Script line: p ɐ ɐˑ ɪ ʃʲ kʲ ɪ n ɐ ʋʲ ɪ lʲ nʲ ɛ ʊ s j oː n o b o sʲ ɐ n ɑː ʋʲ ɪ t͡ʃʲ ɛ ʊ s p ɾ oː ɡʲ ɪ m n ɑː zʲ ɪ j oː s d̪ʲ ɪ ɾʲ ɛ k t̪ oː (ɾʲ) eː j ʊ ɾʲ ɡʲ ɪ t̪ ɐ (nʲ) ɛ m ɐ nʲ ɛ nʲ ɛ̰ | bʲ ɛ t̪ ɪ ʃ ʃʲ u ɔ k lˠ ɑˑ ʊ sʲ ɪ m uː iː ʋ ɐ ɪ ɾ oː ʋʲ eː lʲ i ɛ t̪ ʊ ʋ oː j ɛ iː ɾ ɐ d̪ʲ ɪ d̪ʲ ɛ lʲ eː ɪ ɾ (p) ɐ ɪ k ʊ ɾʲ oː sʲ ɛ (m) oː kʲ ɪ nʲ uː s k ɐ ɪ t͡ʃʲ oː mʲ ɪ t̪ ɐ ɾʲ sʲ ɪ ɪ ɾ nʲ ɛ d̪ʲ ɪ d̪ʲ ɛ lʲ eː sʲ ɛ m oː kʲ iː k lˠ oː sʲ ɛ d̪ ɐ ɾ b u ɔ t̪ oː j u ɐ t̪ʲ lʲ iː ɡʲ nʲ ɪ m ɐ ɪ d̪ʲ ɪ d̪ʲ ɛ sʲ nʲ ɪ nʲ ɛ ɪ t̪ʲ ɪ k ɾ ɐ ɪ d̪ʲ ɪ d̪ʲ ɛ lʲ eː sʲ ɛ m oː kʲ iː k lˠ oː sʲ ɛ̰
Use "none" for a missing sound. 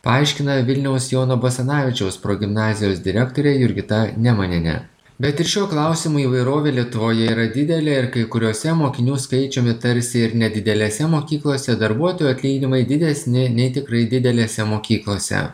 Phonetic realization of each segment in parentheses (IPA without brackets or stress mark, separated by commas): ɾʲ, nʲ, k, m